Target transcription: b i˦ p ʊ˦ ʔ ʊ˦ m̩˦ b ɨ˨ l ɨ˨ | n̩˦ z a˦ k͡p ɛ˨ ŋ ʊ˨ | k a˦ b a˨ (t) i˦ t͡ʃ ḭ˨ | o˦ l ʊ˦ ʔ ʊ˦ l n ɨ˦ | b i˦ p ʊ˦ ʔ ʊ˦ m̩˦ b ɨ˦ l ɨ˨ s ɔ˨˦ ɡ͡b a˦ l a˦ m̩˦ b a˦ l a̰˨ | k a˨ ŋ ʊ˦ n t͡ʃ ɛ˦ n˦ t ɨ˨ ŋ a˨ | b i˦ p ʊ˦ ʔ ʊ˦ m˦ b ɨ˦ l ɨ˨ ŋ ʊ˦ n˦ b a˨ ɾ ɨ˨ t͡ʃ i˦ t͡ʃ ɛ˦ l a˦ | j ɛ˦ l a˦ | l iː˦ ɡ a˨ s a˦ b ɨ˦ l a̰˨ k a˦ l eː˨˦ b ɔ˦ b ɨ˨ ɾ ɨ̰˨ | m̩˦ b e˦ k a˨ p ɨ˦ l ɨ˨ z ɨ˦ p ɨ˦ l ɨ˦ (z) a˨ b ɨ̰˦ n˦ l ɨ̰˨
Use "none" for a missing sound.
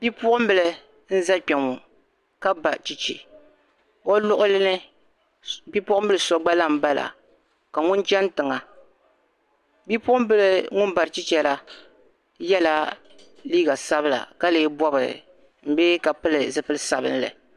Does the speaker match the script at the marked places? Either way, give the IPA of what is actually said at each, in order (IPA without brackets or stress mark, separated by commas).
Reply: t͡ʃ, s